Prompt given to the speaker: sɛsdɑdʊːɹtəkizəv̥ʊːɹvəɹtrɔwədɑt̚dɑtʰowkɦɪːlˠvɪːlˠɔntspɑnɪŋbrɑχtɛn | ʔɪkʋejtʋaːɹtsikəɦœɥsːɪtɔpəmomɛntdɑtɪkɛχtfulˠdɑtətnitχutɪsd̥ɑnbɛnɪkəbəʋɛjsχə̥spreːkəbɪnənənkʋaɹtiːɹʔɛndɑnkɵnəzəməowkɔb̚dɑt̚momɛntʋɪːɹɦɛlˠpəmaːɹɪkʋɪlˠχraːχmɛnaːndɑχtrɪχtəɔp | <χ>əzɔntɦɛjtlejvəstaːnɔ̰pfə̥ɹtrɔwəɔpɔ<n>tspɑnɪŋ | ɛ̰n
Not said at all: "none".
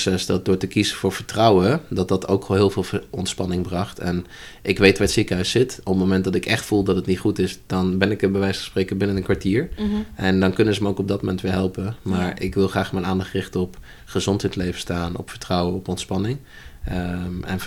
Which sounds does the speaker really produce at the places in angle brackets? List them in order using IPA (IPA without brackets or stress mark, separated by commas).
χ, n